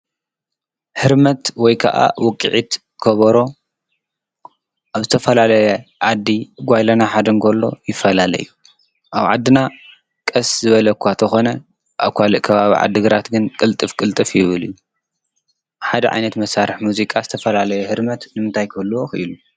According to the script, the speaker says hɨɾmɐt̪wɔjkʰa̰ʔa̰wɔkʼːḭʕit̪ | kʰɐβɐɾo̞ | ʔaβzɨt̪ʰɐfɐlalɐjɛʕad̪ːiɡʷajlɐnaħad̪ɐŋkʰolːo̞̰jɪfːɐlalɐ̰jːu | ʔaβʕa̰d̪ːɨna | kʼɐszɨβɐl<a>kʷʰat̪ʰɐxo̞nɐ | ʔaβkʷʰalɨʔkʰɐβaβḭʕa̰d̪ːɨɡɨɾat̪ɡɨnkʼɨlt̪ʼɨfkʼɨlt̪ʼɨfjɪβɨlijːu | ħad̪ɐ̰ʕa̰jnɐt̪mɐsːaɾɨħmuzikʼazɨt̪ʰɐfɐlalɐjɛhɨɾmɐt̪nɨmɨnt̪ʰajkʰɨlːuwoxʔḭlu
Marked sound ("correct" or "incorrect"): incorrect